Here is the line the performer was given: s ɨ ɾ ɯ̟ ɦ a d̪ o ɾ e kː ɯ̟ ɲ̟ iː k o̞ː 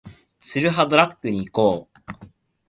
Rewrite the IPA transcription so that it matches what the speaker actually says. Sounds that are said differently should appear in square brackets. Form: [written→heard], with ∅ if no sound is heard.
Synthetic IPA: [s→t͡s] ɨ ɾ ɯ̟ ɦ a d̪ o ɾ [e→a] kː ɯ̟ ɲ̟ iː k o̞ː